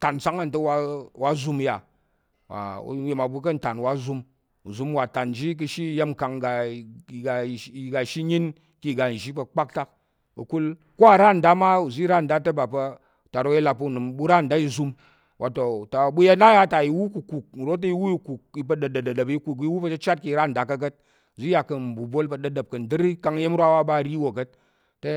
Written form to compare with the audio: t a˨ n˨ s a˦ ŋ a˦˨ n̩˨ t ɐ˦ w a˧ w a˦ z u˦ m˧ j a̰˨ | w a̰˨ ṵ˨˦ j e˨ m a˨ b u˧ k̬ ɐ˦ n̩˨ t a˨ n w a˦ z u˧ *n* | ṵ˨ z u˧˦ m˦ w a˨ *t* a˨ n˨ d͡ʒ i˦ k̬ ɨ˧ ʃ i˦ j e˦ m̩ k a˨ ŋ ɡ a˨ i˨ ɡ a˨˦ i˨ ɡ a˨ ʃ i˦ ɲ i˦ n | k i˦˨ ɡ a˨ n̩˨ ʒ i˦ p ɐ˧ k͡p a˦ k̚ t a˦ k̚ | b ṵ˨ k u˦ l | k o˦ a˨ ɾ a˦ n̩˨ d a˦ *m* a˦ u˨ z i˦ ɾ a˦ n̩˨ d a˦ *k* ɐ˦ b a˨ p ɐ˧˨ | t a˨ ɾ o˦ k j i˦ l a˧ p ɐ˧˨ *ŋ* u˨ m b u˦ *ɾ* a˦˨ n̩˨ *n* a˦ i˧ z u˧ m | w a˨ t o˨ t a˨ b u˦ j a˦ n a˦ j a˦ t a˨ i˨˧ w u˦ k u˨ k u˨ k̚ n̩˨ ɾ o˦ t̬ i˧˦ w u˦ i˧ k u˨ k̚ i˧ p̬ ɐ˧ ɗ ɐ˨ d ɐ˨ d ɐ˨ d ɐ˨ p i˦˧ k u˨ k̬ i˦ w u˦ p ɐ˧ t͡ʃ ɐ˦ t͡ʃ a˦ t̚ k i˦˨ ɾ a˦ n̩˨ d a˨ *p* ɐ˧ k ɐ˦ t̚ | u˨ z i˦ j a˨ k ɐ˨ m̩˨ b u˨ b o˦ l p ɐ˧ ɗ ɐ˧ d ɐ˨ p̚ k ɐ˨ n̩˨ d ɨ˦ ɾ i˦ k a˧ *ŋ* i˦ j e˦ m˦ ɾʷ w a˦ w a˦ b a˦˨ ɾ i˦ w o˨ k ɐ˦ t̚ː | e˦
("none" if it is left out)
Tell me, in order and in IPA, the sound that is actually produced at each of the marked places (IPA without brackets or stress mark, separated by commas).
m, t, m, t, n, ɾ, d, k, ŋ